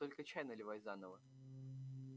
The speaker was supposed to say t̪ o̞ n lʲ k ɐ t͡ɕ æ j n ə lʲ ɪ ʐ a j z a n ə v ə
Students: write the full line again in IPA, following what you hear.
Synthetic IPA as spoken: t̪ o̞ lʲ k ə t͡ɕ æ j n ə lʲ ɪ v a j z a n ə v ə